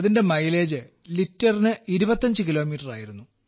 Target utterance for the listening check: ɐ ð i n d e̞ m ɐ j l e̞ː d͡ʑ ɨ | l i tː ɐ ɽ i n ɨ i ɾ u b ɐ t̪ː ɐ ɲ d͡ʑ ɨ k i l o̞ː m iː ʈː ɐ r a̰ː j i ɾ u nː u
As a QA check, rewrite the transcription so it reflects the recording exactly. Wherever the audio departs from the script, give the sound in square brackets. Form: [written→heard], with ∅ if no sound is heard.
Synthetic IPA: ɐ ð i n d e̞ m ɐ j l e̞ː d͡ʑ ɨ | l i tː ɐ [ɽ→r] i n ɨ i ɾ u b ɐ t̪ː ɐ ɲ d͡ʑ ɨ k i l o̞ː m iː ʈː ɐ r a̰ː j i ɾ u nː u

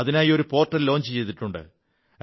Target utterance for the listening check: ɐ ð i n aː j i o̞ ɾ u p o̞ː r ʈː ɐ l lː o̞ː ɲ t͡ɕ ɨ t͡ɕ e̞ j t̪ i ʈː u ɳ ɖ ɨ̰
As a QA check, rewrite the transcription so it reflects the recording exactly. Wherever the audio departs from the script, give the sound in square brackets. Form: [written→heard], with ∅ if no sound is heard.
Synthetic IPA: ɐ ð i n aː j i o̞ ɾ u p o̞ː r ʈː ɐ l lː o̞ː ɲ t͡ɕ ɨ t͡ɕ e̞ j t̪ i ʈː u ɳ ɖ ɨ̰

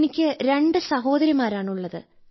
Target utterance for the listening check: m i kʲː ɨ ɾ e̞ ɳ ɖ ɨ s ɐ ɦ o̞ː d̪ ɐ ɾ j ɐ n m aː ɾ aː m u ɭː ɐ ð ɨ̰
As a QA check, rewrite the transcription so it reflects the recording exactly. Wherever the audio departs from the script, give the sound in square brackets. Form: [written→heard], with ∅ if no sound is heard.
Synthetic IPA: [m→n] i kʲː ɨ ɾ e̞ ɳ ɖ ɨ s ɐ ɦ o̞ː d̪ ɐ ɾ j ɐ [n→∅] m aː ɾ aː [m→ɳ] u ɭː ɐ ð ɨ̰

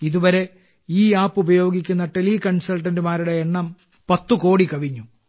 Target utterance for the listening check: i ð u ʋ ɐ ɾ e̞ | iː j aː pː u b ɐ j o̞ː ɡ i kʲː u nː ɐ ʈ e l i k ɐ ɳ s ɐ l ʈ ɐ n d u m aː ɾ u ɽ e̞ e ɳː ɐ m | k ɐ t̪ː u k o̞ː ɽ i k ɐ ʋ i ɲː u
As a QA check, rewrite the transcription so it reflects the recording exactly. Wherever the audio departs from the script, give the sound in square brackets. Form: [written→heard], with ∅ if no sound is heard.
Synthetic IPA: i ð u ʋ ɐ ɾ e̞ | iː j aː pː u b ɐ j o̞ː ɡ i kʲː u nː ɐ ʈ e l i k ɐ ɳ s ɐ l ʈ ɐ n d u m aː ɾ u ɽ e̞ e ɳː ɐ m | [k→p] ɐ t̪ː u k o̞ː ɽ i k ɐ ʋ i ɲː u

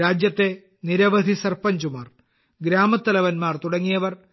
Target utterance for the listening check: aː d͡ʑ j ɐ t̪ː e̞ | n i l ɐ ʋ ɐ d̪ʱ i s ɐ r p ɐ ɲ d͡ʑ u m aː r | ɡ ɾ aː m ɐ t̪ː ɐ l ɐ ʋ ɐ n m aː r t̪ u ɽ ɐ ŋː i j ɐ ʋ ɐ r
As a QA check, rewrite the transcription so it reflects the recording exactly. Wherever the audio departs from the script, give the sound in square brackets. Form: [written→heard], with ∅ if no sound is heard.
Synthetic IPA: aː d͡ʑ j ɐ t̪ː e̞ | n i [l→ɾ] ɐ ʋ ɐ d̪ʱ i s ɐ r p ɐ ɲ d͡ʑ u m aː r | ɡ ɾ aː m ɐ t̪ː ɐ l ɐ ʋ ɐ n m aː r t̪ u ɽ ɐ ŋː i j ɐ ʋ ɐ r

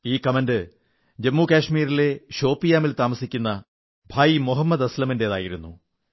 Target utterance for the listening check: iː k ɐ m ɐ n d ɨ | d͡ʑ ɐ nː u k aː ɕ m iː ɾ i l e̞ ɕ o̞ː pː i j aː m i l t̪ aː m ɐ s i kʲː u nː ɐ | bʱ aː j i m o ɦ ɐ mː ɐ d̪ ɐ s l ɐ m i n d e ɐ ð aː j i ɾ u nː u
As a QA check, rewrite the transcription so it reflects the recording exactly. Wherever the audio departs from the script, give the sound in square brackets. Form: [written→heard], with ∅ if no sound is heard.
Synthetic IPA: iː k ɐ m ɐ n d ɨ | d͡ʑ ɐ [nː→mː] u k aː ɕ m iː ɾ i l e̞ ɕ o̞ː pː i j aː m i l t̪ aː m ɐ s i kʲː u nː ɐ | bʱ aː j i m o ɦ ɐ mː ɐ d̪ ɐ s l ɐ m i n d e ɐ ð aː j i ɾ u nː u

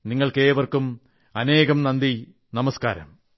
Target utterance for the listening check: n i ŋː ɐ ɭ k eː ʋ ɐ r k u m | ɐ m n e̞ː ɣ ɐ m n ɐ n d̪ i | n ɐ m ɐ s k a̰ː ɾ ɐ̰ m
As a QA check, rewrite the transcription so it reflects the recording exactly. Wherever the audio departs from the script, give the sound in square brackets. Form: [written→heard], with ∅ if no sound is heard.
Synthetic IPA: n i ŋː ɐ ɭ k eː ʋ ɐ r k u m | ɐ [m→∅] n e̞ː ɣ ɐ m n ɐ n d̪ i | n ɐ m ɐ s k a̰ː ɾ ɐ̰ m

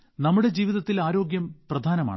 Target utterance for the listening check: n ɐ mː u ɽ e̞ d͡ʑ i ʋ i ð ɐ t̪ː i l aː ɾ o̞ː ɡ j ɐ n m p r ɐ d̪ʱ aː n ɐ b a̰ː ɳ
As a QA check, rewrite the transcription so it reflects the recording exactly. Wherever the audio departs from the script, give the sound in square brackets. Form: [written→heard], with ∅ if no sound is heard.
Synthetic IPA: n ɐ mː u ɽ e̞ d͡ʑ [i→iː] ʋ i ð ɐ t̪ː i l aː ɾ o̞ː ɡ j ɐ [n→∅] m p r ɐ d̪ʱ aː n ɐ [b→m] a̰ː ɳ

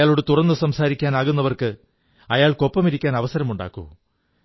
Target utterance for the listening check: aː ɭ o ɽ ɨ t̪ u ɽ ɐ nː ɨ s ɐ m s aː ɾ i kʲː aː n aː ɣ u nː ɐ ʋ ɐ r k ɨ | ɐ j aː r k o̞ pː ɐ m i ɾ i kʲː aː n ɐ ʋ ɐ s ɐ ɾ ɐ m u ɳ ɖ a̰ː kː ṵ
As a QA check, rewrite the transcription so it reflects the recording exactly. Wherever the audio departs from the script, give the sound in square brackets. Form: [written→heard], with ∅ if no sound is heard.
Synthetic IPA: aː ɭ o ɽ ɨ t̪ u [ɽ→r] ɐ nː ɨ s ɐ m s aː ɾ i kʲː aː n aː ɣ u nː ɐ ʋ ɐ r k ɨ | ɐ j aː [r→ɭ] k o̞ pː ɐ m i ɾ i kʲː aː n ɐ ʋ ɐ s ɐ ɾ ɐ m u ɳ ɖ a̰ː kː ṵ

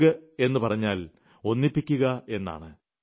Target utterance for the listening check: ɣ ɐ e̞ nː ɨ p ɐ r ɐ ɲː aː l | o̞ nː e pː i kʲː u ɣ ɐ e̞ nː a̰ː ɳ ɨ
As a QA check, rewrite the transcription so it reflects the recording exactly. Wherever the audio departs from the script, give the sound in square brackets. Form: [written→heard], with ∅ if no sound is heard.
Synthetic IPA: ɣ ɐ e̞ nː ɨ p ɐ r ɐ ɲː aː l | o̞ nː [e→i] pː i kʲː u ɣ ɐ e̞ nː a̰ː ɳ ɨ

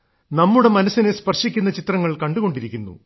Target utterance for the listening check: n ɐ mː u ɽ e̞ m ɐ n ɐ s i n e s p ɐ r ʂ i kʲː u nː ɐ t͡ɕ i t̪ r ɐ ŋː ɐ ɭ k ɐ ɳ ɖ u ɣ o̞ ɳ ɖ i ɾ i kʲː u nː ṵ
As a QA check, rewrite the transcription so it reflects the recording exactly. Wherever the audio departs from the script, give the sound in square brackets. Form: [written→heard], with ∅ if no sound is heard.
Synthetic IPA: n ɐ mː u ɽ e̞ m ɐ n ɐ s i n e s p ɐ r ʂ i kʲː u nː ɐ t͡ɕ i t̪ r ɐ ŋː ɐ ɭ k ɐ ɳ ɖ u ɣ o̞ ɳ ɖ i ɾ i kʲː u nː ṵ

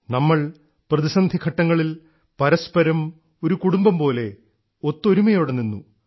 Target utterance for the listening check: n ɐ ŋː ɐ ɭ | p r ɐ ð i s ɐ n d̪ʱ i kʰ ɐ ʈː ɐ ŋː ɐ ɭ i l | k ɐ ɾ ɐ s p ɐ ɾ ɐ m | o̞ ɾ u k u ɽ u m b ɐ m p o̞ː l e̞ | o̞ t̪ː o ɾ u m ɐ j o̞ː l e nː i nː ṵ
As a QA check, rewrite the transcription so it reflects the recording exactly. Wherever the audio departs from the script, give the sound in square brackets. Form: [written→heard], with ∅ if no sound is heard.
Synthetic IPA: n ɐ [ŋː→mː] ɐ ɭ | p r ɐ ð i s ɐ n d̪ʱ i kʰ ɐ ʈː ɐ ŋː ɐ ɭ i l | [k→p] ɐ ɾ ɐ s p ɐ ɾ ɐ m | o̞ ɾ u k u ɽ u m b ɐ m p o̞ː l e̞ | o̞ t̪ː o ɾ u m ɐ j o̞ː [l→ɽ] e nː i nː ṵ

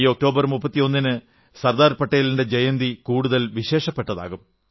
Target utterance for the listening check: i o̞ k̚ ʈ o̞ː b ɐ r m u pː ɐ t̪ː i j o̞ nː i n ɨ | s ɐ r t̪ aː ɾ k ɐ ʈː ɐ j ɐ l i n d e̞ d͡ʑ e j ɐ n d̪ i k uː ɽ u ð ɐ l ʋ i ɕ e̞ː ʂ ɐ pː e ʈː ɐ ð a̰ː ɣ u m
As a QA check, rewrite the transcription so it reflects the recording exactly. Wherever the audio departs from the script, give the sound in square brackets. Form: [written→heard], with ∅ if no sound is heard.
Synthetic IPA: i o̞ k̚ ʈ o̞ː b ɐ r m u pː ɐ t̪ː i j o̞ nː i n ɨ | s ɐ r [t̪→d̪] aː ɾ [k→p] ɐ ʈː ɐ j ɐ l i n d e̞ d͡ʑ e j ɐ n d̪ i k uː ɽ u ð ɐ l ʋ i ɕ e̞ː ʂ ɐ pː e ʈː ɐ ð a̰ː ɣ u m

